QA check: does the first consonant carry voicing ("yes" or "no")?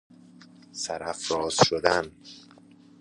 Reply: no